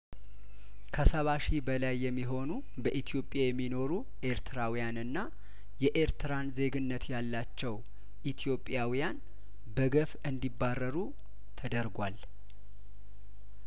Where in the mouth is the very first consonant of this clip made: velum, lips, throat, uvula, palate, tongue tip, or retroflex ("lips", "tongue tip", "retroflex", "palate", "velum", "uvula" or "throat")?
velum